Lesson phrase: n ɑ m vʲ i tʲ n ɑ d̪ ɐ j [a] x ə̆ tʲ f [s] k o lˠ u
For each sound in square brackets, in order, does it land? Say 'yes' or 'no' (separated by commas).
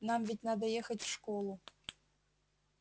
no, no